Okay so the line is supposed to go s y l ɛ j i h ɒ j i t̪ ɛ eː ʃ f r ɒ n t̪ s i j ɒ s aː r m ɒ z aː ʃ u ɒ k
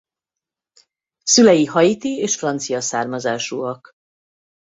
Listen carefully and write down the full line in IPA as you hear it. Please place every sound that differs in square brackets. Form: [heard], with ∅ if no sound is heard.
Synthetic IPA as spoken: s y l ɛ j i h ɒ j i t̪ [i] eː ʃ f r ɒ n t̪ s i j ɒ s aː r m ɒ z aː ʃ u ɒ k